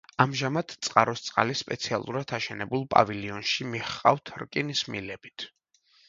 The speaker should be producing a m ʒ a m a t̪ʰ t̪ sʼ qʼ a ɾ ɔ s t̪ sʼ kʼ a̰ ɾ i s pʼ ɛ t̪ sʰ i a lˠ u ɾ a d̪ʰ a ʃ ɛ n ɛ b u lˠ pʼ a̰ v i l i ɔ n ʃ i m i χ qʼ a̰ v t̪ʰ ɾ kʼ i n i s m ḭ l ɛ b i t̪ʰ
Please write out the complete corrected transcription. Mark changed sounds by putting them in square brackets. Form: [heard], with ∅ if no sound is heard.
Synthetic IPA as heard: a m ʒ a m a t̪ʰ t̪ sʼ qʼ a ɾ ɔ s t̪ sʼ [qʼ] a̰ [l] i s pʼ ɛ t̪ sʰ i a lˠ u ɾ a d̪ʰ a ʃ ɛ n ɛ b u lˠ pʼ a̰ v i l i ɔ n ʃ i m i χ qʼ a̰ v t̪ʰ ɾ kʼ i n i s m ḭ l ɛ b i t̪ʰ